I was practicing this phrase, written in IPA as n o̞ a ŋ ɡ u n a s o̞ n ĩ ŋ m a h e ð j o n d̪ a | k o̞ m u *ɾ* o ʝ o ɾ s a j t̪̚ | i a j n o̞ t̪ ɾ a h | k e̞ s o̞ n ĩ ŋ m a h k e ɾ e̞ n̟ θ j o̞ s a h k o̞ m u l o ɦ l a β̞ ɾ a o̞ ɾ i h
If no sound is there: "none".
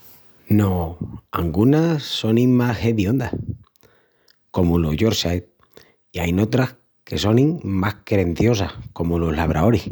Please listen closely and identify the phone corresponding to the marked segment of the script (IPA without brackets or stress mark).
l